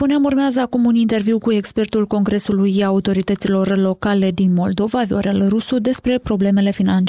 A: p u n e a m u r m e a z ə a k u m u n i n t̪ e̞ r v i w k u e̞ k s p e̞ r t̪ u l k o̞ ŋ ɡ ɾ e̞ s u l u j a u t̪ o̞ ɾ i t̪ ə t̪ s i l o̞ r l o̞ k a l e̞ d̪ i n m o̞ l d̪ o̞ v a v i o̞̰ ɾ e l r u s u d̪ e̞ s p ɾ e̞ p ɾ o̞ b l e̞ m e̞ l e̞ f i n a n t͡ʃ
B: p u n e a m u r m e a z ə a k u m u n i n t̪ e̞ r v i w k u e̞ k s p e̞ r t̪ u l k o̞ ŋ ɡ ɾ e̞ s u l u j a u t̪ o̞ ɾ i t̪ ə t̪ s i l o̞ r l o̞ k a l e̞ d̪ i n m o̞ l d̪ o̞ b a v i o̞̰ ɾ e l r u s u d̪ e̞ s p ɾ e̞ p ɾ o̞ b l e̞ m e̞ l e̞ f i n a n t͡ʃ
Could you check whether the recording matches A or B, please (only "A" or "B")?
A